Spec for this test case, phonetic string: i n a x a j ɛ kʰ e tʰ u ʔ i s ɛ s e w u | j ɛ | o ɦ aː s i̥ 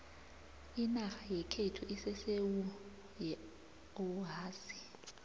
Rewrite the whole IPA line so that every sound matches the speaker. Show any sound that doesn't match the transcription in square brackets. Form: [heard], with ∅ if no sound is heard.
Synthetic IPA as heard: i n a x a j ɛ kʰ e tʰ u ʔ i s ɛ s e w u | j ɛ | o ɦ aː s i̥